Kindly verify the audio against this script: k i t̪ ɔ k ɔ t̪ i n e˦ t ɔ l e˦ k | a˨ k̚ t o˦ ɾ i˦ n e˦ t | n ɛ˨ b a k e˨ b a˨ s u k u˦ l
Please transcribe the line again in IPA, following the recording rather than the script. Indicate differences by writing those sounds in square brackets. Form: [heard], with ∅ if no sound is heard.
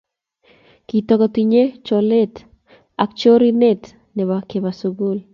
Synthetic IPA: k i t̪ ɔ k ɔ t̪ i [ɲ] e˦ [t͡ʃ] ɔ l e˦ [t] | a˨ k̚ [t͡ʃ] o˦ ɾ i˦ n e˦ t | n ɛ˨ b a k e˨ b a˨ s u [ɡ] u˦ l